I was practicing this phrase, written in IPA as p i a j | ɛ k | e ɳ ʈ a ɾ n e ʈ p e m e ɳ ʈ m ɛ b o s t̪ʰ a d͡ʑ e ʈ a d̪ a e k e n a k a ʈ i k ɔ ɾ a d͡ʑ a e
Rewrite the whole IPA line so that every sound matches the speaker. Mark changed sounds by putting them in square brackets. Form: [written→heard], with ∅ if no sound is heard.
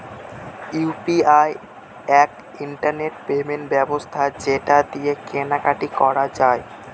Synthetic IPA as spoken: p i a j | ɛ k | [e→i] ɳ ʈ a ɾ n e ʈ p e m e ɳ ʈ [m→b] ɛ b o s t̪ʰ a d͡ʑ e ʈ a d̪ [a→i] e k e n a k a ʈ i k ɔ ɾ a d͡ʑ a e